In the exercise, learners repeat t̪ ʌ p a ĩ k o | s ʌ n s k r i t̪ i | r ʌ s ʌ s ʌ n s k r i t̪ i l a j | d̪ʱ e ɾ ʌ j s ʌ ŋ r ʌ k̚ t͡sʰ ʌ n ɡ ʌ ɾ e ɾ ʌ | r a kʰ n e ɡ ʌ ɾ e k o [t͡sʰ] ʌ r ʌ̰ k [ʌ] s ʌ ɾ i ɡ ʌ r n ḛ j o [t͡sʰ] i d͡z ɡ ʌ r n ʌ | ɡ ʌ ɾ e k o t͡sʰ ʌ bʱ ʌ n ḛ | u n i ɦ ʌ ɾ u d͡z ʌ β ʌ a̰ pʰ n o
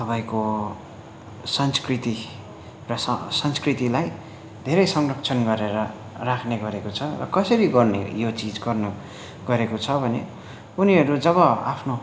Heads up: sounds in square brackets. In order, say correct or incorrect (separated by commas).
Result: correct, correct, incorrect